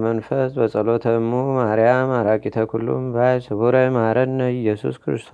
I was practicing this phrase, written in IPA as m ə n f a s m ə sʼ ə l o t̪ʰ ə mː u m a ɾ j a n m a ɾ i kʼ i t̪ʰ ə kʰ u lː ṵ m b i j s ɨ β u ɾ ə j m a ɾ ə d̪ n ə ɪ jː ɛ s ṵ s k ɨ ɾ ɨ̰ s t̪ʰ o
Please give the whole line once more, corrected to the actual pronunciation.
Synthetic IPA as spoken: m ə n f ə s b ə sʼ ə l o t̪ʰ ə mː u m a ɾ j a m a ɾ a kʼ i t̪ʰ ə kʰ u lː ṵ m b a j s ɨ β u ɾ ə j m a ɾ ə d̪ n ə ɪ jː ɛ s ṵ s k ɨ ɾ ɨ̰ s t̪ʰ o